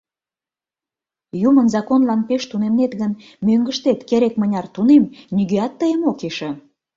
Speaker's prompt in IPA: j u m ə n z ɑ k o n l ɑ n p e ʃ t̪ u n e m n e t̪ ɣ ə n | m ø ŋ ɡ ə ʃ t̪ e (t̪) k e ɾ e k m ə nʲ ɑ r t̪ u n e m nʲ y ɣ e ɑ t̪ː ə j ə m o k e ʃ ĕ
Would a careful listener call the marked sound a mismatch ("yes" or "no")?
no